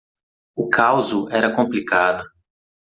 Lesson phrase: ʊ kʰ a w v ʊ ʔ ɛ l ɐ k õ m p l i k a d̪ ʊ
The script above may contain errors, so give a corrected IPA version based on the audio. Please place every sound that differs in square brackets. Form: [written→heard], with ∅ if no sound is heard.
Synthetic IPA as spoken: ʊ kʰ a w [v→z] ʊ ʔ ɛ [l→ɾ] ɐ k õ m p l i k a d̪ ʊ